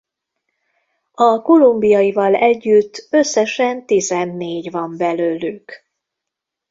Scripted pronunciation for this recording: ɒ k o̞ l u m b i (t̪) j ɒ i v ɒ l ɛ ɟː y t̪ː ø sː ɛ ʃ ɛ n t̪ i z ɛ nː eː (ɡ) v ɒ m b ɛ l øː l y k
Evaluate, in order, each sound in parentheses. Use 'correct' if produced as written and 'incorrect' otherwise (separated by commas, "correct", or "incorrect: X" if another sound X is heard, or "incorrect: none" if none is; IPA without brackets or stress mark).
incorrect: none, incorrect: ɟ